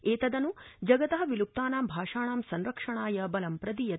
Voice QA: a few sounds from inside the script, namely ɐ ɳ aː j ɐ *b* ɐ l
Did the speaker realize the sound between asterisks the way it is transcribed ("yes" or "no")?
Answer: yes